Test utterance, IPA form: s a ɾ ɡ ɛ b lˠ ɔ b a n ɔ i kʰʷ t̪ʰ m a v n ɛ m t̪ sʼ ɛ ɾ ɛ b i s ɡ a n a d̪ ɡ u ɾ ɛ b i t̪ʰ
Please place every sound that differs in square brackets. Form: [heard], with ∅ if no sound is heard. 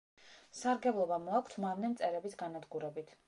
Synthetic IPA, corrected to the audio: s a ɾ ɡ ɛ b lˠ ɔ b a [m] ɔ [a] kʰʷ t̪ʰ m a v n ɛ m t̪ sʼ ɛ ɾ ɛ b i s ɡ a n a d̪ ɡ u ɾ ɛ b i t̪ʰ